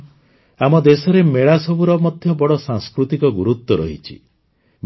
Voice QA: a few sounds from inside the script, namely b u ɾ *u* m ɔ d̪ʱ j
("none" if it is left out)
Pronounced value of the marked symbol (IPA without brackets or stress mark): ɔ